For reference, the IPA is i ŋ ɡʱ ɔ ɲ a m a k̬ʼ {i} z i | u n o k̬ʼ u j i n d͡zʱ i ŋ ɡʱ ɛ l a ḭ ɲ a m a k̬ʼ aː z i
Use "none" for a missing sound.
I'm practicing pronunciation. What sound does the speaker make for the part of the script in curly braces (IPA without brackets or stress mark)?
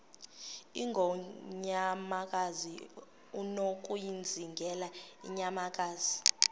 a